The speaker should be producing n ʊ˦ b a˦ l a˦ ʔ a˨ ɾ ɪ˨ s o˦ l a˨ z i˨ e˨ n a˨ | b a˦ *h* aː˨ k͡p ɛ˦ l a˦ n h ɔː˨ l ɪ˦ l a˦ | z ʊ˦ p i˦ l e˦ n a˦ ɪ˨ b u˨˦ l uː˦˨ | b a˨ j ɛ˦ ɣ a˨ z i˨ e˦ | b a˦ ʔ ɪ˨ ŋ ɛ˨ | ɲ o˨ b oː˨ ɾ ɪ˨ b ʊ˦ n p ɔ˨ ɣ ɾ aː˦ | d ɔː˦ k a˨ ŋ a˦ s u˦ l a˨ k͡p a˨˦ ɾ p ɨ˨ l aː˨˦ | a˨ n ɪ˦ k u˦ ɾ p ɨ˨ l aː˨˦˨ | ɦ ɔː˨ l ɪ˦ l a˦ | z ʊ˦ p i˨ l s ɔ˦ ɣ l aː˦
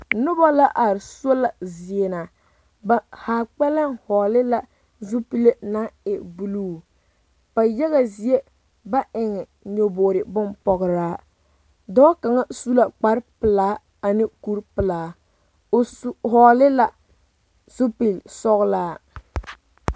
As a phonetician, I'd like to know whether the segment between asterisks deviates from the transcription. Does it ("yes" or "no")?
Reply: no